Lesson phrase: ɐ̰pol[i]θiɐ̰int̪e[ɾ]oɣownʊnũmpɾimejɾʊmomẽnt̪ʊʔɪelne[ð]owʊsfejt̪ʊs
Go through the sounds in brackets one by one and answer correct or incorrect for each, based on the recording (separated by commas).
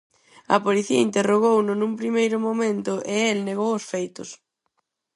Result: correct, incorrect, incorrect